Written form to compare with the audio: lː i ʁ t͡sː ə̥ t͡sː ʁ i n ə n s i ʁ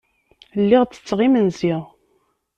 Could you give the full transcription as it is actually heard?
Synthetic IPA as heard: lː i ʁ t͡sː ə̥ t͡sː ʁ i m ə n z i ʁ